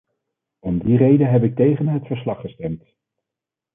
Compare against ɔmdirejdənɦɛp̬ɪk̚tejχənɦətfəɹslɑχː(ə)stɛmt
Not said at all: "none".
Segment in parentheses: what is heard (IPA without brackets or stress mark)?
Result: ə